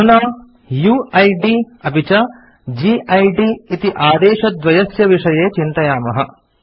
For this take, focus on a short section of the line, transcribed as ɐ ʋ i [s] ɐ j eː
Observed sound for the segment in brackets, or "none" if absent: ʂ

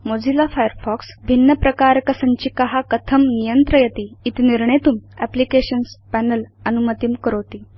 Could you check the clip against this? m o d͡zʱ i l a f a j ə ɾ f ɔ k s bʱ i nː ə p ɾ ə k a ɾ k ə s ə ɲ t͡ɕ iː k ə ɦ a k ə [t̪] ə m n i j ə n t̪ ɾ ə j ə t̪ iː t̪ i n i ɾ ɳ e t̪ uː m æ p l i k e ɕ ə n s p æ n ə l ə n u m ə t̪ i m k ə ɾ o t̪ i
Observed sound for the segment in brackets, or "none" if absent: t̪ʰ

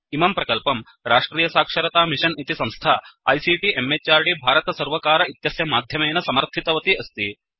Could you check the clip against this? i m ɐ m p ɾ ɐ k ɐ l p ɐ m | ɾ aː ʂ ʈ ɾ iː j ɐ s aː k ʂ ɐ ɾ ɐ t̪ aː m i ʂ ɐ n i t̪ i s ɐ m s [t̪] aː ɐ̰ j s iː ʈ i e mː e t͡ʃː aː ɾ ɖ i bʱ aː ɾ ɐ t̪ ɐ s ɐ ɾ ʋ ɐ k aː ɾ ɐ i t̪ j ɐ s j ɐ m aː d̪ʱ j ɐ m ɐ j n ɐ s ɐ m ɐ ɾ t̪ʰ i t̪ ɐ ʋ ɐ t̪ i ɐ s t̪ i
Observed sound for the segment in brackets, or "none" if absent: t̪ʰ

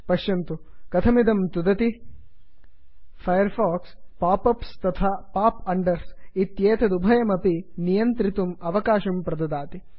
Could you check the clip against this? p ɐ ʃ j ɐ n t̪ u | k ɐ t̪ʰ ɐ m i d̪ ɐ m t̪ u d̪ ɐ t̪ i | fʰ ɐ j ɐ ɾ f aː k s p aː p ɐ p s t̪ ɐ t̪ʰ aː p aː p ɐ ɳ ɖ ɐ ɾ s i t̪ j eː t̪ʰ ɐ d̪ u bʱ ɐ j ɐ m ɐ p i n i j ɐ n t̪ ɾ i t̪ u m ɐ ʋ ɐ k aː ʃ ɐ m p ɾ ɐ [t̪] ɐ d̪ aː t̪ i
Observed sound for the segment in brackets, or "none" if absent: d̪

